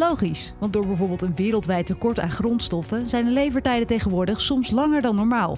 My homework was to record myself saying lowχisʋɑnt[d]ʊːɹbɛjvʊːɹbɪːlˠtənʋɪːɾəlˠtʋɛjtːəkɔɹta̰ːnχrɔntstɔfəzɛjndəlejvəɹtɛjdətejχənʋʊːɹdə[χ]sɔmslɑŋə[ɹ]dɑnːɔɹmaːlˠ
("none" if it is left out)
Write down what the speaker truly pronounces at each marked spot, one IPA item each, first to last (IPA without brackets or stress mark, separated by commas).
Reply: d, χ, ɹ